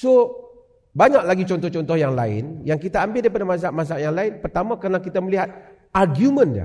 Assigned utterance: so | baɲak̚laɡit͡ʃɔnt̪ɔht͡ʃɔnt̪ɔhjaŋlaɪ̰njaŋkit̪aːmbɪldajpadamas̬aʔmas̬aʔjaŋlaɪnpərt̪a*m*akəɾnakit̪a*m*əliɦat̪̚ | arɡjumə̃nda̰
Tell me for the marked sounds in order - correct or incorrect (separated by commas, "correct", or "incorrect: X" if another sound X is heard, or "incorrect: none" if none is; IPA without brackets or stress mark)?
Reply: correct, correct